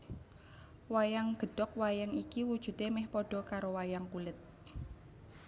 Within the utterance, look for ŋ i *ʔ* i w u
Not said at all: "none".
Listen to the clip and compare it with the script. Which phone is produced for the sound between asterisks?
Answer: k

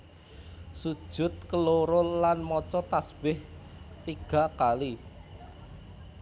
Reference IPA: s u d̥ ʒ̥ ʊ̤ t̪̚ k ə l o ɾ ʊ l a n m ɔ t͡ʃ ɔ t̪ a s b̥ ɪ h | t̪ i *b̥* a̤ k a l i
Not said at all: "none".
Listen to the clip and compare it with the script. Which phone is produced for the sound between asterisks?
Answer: ɡ̥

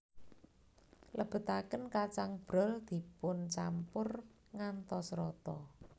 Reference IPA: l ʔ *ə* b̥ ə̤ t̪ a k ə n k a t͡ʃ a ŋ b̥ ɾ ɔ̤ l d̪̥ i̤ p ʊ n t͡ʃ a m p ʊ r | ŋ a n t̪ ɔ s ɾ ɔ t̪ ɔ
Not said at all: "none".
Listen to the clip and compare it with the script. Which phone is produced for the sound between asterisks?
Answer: ə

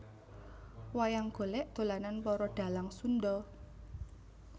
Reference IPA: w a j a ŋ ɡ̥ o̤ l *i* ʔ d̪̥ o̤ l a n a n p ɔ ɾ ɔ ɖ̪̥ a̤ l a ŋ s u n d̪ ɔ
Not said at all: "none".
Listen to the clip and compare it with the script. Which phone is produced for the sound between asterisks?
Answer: ɛ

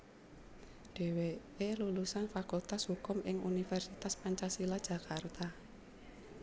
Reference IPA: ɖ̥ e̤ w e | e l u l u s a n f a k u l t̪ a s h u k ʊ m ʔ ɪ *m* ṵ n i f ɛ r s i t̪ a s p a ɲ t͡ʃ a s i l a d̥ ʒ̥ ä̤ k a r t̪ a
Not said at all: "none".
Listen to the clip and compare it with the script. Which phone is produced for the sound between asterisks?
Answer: ŋ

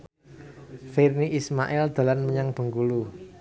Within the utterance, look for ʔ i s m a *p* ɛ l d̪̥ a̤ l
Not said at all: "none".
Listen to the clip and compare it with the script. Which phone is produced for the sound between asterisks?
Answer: ʔ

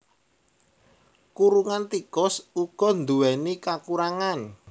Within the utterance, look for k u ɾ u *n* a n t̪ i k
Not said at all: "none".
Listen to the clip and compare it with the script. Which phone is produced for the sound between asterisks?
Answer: ŋ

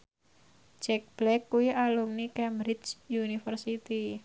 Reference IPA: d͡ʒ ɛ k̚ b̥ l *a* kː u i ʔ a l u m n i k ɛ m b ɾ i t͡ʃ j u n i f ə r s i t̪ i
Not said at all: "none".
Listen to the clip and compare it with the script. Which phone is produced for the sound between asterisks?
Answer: ɛ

